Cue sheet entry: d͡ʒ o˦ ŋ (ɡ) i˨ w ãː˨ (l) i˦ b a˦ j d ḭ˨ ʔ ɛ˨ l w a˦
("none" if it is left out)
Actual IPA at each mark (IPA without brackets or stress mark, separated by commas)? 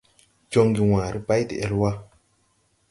ɡ, ɾ